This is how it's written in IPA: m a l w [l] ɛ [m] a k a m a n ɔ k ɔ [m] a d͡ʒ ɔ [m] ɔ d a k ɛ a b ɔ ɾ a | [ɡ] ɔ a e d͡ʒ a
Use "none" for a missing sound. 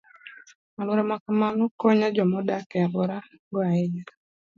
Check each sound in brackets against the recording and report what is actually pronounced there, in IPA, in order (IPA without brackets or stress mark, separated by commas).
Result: ɾ, m, ɲ, m, ɡ